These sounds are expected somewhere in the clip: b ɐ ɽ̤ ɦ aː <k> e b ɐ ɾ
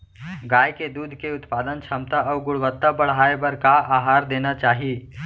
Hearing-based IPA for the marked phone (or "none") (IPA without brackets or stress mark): none